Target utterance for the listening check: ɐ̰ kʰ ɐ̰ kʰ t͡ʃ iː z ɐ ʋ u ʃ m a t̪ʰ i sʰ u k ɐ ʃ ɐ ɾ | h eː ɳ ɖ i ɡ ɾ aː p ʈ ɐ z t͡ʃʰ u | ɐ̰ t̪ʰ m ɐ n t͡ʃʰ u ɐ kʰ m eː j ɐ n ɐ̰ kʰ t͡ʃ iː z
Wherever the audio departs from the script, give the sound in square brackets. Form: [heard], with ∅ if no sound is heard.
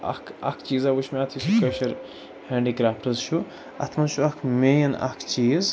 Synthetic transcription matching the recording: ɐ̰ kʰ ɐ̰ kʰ t͡ʃ iː z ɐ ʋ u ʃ m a t̪ʰ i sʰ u k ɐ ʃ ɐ ɾ | h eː ɳ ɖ i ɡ ɾ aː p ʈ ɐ z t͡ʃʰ u | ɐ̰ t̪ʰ m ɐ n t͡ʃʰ u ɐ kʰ m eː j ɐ n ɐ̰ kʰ t͡ʃ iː z